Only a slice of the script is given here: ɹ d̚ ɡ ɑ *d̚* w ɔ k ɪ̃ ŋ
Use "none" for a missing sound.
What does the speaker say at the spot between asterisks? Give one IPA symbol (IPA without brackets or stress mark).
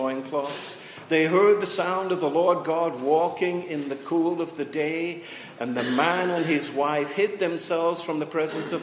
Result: d̚